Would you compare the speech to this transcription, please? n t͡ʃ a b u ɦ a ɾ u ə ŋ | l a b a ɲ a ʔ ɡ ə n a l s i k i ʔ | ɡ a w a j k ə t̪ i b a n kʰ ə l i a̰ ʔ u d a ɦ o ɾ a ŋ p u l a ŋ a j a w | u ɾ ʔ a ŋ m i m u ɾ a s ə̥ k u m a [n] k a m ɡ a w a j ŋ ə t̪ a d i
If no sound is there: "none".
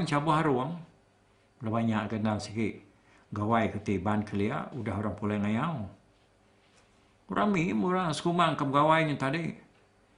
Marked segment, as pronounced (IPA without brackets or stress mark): ŋ